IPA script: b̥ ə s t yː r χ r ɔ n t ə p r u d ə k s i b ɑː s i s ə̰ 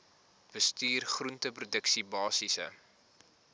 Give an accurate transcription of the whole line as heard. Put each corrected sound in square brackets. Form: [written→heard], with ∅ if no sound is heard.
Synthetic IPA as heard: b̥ ə s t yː r χ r [ɔ→u] n t ə p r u d ə k s i b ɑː s i s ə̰